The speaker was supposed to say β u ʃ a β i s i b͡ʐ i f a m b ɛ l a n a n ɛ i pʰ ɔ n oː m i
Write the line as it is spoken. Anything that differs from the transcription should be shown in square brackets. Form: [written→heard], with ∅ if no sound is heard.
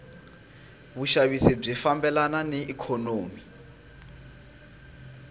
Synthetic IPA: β u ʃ a β i s i b͡ʐ i f a m b ɛ l a n a n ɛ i [pʰ→kʰ] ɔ n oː m i